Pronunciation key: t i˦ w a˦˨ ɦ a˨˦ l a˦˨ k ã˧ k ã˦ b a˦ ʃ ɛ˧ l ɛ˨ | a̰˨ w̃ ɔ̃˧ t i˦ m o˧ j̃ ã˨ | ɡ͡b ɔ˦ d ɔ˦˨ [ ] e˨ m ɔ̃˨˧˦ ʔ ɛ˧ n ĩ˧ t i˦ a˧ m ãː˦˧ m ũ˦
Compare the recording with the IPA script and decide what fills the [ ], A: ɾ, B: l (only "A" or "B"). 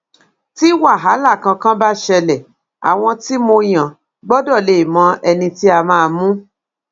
B